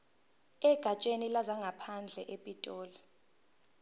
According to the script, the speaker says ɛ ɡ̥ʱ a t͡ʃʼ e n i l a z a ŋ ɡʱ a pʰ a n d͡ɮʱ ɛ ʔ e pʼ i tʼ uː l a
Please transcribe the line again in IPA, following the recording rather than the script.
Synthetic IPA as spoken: ɛ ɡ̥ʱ a t͡ʃʼ e n i l a z a ŋ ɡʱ a pʰ a n d͡ɮʱ ɛ ʔ e pʼ i tʼ ɔː l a